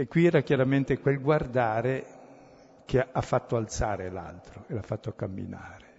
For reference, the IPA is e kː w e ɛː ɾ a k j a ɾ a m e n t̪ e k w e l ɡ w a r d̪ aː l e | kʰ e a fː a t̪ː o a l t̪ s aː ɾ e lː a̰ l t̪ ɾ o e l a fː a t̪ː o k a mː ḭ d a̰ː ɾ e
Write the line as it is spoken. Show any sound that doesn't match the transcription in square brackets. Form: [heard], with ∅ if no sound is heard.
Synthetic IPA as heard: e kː w [i] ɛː ɾ a k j a ɾ a m e n t̪ e k w e l ɡ w a r d̪ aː [ɾ] e | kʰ e a fː a t̪ː o a l t̪ s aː ɾ e [l] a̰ l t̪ ɾ o e l a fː a t̪ː o k a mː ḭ [n] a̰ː ɾ e